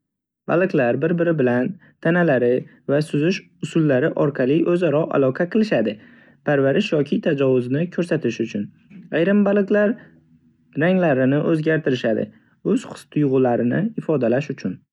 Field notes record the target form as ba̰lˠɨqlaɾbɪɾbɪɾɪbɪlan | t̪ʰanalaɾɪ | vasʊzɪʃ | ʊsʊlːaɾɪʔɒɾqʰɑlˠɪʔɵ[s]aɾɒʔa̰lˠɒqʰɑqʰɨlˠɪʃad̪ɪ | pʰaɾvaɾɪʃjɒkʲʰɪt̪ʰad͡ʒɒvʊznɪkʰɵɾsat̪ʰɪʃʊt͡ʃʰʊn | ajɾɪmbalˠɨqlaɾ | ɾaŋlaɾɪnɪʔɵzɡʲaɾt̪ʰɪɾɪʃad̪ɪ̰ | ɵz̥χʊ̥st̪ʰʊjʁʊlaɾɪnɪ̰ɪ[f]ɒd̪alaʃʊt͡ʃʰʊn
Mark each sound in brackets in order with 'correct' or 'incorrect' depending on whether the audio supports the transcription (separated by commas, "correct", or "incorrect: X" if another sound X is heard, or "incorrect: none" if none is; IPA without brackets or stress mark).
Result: incorrect: z, correct